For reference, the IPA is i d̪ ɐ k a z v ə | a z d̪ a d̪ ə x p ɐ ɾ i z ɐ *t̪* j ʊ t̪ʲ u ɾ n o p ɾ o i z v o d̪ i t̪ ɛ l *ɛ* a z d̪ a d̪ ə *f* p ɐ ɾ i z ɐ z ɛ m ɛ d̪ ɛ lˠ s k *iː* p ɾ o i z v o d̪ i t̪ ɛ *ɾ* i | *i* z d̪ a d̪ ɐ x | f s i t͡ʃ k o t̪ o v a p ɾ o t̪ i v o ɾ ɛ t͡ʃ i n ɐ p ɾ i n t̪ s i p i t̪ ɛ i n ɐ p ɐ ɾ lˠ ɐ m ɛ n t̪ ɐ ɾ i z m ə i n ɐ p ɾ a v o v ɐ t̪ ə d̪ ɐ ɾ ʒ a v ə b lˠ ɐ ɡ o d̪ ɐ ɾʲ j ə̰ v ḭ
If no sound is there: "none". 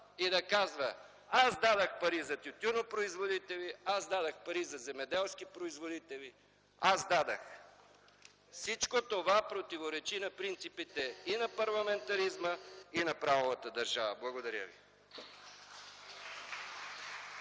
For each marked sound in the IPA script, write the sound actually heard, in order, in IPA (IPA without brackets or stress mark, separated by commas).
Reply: t̪, i, x, i, l, a